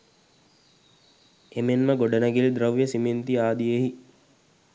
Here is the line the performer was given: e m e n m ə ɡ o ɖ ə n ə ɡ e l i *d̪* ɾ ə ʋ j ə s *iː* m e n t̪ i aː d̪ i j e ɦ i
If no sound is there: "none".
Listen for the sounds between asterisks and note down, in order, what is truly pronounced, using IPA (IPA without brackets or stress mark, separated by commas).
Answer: d̪, i